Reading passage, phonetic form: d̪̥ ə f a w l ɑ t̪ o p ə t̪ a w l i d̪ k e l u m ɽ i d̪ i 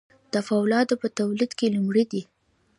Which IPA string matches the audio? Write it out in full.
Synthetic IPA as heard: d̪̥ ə f a w l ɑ d̪ o p ə t̪ a w l i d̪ k e l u m ɽ i d̪ i